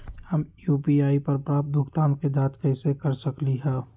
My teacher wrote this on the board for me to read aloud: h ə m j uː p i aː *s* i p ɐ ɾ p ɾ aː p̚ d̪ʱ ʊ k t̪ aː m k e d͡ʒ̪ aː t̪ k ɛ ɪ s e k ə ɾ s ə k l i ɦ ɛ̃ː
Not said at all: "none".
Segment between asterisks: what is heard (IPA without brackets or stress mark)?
none